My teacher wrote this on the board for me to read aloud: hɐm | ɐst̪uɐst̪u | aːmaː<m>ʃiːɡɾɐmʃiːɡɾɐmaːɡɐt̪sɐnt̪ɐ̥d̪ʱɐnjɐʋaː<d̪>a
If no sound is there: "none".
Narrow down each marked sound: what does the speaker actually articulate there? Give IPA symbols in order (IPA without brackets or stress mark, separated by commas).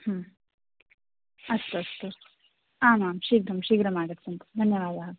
m, d̪